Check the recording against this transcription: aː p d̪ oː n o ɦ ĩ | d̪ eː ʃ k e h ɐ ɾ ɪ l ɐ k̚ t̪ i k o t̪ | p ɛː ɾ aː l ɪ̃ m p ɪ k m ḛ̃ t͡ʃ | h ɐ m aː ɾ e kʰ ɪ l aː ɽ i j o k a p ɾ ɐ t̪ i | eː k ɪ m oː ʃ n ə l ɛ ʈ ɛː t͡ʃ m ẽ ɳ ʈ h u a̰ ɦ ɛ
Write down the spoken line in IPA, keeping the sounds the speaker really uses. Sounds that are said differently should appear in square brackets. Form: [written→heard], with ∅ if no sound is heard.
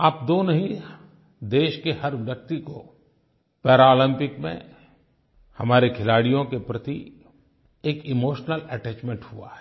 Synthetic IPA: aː p d̪ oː n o ɦ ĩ | d̪ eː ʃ k e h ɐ ɾ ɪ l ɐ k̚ t̪ i k o [t̪→∅] | p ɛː ɾ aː l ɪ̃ m p ɪ k m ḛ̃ [t͡ʃ→∅] | h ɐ m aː ɾ e kʰ ɪ l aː ɽ i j [o→õ] k [a→e] p ɾ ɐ t̪ i | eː k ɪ m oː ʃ n ə l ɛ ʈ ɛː t͡ʃ m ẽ ɳ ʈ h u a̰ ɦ ɛ